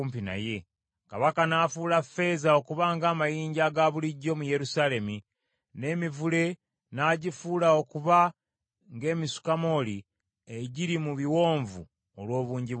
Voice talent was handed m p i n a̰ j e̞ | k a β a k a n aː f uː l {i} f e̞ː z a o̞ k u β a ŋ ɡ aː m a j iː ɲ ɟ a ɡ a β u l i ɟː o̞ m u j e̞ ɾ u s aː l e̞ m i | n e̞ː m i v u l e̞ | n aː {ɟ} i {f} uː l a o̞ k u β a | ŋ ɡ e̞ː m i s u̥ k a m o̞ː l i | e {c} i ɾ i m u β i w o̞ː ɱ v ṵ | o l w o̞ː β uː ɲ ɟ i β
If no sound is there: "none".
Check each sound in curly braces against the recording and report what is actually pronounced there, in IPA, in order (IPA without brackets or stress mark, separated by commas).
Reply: a, ɟ, f, ɟ